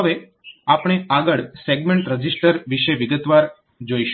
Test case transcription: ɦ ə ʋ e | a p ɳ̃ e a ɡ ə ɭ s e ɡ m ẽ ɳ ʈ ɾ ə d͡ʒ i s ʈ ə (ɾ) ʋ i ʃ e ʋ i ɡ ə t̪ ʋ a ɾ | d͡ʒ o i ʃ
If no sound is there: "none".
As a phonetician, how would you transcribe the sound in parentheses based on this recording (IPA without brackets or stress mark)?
ɾ